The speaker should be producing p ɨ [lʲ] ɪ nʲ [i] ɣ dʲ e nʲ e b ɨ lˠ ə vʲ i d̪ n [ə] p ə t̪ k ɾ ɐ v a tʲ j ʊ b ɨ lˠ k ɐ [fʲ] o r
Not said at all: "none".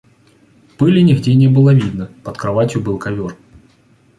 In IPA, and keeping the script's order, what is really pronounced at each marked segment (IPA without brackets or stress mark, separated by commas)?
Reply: lʲ, ɪ, ə, vʲ